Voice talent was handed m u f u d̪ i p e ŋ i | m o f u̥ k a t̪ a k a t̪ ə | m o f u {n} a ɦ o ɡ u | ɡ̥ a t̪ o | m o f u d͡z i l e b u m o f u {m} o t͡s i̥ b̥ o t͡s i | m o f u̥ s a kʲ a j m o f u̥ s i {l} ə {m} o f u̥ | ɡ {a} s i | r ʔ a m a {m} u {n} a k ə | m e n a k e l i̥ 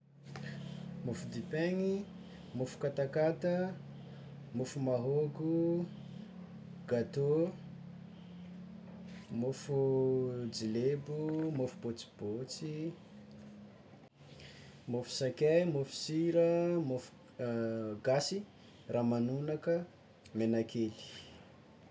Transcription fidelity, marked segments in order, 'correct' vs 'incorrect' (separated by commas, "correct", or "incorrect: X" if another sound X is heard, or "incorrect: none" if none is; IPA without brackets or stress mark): incorrect: m, incorrect: b, incorrect: ɾ, correct, correct, incorrect: n, correct